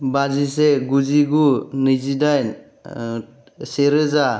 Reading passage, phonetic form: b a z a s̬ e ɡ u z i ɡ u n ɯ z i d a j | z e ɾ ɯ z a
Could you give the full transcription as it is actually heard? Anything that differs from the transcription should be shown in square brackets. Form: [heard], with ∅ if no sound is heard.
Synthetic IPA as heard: b a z [i] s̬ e ɡ u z i ɡ u n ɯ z i d a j | [s] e ɾ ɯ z a